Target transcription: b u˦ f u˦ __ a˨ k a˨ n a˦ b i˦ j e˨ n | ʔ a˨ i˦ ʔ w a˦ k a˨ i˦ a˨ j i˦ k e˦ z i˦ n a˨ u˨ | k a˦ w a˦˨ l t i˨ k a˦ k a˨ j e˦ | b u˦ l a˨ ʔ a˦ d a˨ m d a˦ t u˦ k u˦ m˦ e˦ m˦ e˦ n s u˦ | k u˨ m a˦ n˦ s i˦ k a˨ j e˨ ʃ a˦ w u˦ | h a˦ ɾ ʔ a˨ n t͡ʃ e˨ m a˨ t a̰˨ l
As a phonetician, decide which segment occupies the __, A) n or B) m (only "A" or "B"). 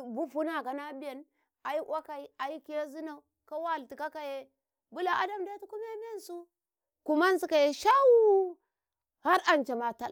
A